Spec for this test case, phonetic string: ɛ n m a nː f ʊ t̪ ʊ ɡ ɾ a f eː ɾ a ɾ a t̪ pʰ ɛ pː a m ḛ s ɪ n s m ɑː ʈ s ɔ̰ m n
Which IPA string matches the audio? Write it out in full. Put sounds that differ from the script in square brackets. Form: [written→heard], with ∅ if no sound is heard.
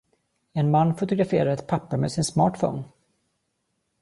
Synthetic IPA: ɛ n m a nː f ʊ t̪ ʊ ɡ ɾ a f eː ɾ a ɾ [a→ɛ] t̪ pʰ [ɛ→a] pː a m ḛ s ɪ n s m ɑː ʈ [s→f] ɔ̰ [m→∅] n